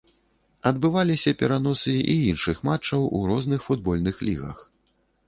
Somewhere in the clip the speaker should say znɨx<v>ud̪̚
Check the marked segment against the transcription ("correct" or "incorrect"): incorrect